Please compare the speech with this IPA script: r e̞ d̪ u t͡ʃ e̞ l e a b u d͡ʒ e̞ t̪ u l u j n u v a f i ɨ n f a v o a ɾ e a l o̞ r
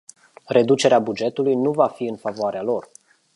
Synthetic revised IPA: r e̞ d̪ u t͡ʃ e̞ ɾ e a b u d͡ʒ e̞ t̪ u l u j n u v a f i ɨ n f a v o a ɾ e a l o̞ r